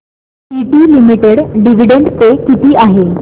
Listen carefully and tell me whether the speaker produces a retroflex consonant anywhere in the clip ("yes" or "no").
yes